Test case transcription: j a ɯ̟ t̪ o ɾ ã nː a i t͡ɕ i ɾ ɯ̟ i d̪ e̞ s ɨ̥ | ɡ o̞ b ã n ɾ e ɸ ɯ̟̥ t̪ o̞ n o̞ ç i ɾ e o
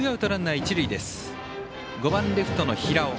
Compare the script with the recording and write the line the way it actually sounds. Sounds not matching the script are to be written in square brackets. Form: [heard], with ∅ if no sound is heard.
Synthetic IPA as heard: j a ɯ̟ t̪ o ɾ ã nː a i t͡ɕ i ɾ ɯ̟ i d̪ e̞ s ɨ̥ | ɡ o̞ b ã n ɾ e ɸ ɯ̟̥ t̪ o̞ n o̞ ç i ɾ [a] o